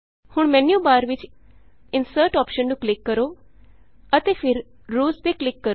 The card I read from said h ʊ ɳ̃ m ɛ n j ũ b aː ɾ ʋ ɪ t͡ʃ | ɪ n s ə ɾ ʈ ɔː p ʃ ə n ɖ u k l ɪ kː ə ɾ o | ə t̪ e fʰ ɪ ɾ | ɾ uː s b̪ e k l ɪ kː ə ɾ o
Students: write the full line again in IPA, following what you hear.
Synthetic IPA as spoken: h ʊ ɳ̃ m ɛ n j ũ b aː ɾ ʋ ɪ t͡ʃ | ɪ n s ə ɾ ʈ ɔː p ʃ ə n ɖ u k l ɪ kː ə ɾ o | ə t̪ e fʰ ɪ ɾ | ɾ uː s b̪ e k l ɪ kː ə ɾ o